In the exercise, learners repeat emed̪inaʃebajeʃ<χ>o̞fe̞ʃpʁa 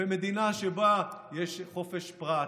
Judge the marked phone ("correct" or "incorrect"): correct